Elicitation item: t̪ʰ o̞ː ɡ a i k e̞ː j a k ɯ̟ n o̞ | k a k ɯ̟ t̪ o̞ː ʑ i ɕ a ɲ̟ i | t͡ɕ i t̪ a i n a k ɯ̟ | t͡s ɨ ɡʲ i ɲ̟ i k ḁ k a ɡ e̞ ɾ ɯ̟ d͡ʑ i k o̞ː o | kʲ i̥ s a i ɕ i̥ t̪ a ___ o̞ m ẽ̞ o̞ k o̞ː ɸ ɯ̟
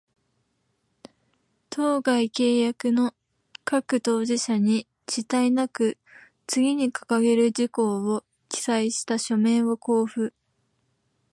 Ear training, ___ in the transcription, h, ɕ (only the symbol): ɕ